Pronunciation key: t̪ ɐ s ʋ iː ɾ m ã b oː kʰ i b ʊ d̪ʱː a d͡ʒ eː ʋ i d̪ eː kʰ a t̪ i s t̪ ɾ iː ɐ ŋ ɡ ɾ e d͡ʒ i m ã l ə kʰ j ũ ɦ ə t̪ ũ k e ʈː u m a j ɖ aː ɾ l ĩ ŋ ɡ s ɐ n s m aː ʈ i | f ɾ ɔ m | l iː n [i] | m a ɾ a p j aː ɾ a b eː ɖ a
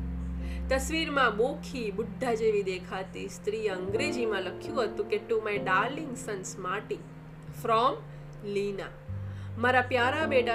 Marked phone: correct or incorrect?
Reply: incorrect